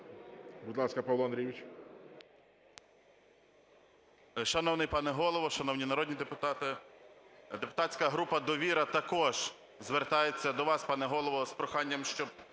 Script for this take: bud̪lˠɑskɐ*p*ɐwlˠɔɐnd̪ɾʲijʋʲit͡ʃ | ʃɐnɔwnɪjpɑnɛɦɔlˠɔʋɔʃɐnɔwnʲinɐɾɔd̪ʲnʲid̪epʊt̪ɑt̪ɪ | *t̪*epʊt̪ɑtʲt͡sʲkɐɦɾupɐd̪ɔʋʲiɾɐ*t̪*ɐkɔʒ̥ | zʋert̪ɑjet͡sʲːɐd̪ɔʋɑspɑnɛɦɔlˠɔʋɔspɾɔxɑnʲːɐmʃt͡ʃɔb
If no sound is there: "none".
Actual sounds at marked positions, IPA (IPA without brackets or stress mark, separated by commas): p, d̪, t̪